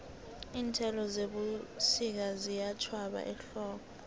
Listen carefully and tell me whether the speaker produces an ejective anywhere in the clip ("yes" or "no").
no